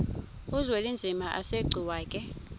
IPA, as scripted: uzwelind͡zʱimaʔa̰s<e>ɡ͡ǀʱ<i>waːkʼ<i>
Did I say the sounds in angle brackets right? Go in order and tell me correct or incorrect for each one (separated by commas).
correct, correct, incorrect